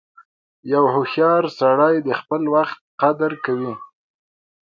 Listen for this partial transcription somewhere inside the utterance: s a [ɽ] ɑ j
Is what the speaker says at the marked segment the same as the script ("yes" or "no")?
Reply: yes